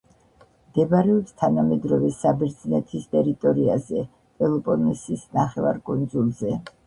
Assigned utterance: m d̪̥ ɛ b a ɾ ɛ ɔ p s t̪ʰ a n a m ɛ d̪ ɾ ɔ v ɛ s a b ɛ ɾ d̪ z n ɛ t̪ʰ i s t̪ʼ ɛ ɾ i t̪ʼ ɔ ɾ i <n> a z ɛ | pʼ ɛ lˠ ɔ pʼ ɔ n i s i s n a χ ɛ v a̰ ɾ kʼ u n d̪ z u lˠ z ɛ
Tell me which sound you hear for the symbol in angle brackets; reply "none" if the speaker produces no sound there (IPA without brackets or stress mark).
none